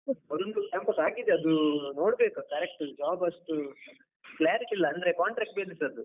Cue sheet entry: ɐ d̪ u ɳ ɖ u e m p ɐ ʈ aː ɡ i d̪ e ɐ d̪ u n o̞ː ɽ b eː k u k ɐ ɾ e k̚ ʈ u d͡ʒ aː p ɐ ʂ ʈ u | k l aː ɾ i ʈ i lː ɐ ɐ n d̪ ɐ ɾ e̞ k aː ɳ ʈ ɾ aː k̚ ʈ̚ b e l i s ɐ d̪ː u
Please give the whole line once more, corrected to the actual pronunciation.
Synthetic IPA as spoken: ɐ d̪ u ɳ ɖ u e m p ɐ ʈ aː ɡ i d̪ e ɐ d̪ u n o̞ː ɽ b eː k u k ɐ ɾ e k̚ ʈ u d͡ʒ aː b ɐ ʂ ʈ u | k l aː ɾ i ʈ i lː ɐ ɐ n d̪ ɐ ɾ e̞ k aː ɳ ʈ ɾ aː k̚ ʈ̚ b e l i s ɐ d̪ u